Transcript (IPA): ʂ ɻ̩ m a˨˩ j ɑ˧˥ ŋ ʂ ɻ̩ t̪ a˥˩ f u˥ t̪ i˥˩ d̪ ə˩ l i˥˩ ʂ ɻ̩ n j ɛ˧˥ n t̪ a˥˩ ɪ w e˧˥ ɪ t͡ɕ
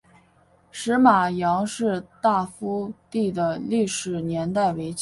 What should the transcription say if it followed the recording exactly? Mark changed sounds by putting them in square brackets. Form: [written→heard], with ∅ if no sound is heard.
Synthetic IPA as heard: ʂ ɻ̩ m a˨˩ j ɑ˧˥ ŋ ʂ ɻ̩ t̪ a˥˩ f u˥ t̪ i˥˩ d̪ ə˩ l i˥˩ ʂ ɻ̩ n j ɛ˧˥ n t̪ a˥˩ ɪ w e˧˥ ɪ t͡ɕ